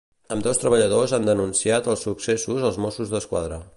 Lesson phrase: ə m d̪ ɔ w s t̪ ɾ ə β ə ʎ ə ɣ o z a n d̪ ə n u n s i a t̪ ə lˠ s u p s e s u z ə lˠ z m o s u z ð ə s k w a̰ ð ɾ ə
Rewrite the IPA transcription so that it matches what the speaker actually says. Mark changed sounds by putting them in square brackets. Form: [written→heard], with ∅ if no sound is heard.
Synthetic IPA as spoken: ə m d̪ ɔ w s t̪ ɾ ə β ə ʎ ə [ɣ→ð] o z a n d̪ ə n u n s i a t̪ ə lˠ s u [p→k] s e s u z ə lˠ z m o s u z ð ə s k w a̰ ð ɾ ə